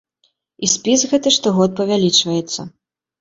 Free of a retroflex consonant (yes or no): no